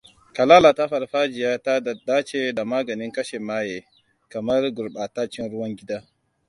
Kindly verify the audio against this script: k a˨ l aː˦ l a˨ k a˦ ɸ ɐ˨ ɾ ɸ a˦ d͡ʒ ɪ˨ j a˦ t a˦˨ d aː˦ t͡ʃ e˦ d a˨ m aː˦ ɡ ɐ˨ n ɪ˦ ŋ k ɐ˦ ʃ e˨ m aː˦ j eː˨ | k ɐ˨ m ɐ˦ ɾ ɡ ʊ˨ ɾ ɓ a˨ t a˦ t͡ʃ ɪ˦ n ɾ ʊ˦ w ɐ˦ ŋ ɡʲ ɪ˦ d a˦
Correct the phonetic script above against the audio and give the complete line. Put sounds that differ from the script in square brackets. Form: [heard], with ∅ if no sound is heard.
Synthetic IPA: k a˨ l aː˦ l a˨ [t] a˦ ɸ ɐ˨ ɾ ɸ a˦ d͡ʒ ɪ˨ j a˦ t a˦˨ d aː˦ t͡ʃ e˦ d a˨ m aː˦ ɡ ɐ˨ n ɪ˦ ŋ k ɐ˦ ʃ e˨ m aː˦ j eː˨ | k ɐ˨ m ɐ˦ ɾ ɡ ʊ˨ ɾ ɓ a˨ t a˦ t͡ʃ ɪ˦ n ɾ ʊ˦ w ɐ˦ ŋ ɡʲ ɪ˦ d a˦